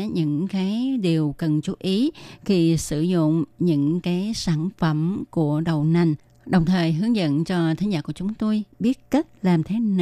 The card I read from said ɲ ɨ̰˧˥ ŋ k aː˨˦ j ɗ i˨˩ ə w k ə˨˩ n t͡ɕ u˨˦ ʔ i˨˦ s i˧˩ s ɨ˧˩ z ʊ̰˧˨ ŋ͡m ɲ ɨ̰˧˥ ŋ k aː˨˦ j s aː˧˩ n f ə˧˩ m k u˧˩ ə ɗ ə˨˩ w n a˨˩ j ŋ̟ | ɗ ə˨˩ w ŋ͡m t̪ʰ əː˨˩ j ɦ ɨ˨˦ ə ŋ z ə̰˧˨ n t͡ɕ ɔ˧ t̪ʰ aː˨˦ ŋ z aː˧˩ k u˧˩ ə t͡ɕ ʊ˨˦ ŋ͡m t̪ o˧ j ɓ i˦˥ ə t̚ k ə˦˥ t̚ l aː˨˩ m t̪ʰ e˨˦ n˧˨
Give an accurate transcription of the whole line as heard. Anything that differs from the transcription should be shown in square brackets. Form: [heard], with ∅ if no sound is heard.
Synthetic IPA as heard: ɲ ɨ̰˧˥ ŋ k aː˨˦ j ɗ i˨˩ ə w k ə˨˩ n t͡ɕ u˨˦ ʔ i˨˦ [x] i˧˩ s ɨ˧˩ z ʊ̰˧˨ ŋ͡m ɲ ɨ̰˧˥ ŋ k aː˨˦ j s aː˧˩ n f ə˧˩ m k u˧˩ ə ɗ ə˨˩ w n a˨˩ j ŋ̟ | ɗ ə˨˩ w ŋ͡m t̪ʰ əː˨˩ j ɦ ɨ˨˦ ə ŋ z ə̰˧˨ n t͡ɕ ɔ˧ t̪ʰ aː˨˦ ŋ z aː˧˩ k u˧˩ ə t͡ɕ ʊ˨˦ ŋ͡m t̪ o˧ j ɓ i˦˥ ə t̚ k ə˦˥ t̚ l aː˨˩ m t̪ʰ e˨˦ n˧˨